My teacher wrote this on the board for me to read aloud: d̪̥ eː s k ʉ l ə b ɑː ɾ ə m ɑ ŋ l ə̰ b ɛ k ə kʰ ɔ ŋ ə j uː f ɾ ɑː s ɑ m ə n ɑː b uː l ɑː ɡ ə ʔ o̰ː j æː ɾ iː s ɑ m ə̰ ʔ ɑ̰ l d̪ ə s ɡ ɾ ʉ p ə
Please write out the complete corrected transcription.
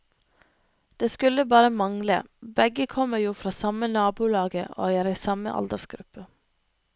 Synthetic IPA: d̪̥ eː s k ʉ l ə b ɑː ɾ ə m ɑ ŋ l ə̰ b ɛ ɡ ə kʰ ɔ m ə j uː f ɾ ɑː s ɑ m ə n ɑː b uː l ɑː ɡ ə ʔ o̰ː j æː ɾ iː s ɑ m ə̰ ʔ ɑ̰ l d̪ ə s ɡ ɾ ʉ p ə